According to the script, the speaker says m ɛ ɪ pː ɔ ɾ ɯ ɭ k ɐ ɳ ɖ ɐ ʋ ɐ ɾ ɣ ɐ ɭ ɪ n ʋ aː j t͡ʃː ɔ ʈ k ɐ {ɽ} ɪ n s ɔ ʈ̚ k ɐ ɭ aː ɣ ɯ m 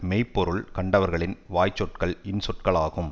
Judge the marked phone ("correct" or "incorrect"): incorrect